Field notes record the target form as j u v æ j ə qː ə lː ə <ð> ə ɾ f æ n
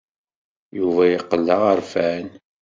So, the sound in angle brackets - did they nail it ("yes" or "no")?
no